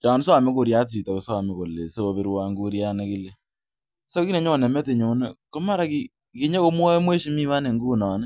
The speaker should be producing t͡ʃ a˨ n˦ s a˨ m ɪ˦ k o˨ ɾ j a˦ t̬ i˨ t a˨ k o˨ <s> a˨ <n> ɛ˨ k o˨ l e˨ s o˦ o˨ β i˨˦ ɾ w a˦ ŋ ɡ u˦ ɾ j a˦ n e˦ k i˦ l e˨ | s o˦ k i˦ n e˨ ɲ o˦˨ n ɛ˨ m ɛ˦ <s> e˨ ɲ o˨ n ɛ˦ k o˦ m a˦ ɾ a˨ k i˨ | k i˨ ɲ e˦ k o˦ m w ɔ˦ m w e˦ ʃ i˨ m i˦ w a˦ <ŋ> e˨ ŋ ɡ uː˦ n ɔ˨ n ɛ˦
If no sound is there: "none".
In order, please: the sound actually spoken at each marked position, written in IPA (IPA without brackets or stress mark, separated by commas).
s, m, t, n